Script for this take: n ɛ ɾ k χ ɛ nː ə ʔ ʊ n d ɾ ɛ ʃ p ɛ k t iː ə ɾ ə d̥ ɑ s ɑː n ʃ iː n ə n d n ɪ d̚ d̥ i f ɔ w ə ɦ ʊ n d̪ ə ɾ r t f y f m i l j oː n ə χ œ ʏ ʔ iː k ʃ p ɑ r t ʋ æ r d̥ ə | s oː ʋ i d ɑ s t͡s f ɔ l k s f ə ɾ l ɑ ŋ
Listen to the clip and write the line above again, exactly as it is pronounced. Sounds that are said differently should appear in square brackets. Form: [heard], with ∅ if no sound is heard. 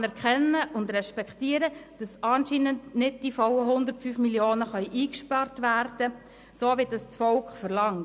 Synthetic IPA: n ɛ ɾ k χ ɛ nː ə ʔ ʊ n d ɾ ɛ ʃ p ɛ k t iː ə ɾ ə d̥ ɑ s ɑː n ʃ iː n ə n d n ɪ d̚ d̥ i f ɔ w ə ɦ ʊ n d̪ ə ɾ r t f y f m i l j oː n ə χ œ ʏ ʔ iː k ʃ p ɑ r t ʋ æ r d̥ ə | s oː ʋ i d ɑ s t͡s f ɔ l k [χ] f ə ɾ l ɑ ŋ